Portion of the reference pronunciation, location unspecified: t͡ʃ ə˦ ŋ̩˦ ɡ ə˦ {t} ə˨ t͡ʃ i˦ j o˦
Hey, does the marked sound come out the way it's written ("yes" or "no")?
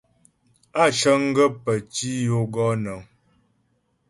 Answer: no